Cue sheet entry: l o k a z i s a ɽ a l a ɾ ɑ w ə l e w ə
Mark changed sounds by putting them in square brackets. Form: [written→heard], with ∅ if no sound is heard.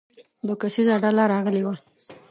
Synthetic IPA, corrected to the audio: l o k a [z→s] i [s→z] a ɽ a l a ɾ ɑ [w→ɣ] ə l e w [ə→a]